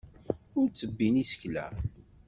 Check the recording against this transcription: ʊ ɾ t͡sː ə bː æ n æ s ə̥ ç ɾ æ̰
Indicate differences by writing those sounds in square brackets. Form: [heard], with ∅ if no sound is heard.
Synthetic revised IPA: ʊ ɾ t͡sː ə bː [i] n [i] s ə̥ ç [l] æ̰